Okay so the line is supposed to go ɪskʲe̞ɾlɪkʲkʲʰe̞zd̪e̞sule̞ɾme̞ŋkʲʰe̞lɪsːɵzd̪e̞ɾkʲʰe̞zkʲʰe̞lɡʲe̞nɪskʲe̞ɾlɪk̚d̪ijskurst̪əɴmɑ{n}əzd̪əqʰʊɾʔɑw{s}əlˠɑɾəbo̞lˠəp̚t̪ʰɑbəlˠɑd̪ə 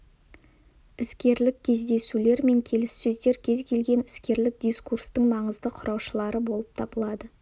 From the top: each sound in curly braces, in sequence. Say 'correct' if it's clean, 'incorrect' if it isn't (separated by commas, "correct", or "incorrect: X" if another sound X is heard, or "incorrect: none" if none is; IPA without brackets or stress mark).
incorrect: ɴ, incorrect: ʃ